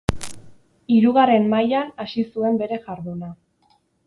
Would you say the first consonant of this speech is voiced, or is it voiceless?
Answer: voiced